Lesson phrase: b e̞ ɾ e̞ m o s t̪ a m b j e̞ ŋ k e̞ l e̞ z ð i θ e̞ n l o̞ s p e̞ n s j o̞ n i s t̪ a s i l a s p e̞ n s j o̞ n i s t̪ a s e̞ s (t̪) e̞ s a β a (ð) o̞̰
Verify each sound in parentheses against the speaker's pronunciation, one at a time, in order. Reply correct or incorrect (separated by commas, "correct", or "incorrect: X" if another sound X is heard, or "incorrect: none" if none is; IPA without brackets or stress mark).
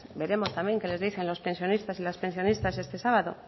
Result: correct, correct